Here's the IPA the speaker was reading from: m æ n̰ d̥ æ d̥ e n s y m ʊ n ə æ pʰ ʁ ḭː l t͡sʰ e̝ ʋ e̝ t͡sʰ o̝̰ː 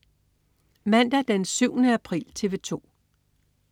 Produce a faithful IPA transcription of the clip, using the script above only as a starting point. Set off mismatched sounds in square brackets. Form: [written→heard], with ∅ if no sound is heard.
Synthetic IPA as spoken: m æ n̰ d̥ æ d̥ e n s y [m→∅] ʊ n ə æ pʰ ʁ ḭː l t͡sʰ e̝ ʋ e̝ t͡sʰ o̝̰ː